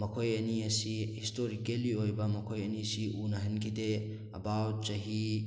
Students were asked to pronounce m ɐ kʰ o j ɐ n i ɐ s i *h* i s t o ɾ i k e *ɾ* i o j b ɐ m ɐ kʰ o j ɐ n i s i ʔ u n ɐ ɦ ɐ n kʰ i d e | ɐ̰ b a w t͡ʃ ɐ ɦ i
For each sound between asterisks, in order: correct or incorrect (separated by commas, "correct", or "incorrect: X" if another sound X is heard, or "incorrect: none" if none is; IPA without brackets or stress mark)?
correct, incorrect: l